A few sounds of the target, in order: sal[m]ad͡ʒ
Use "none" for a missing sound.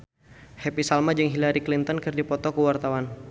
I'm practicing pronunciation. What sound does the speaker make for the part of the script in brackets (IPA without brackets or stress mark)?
m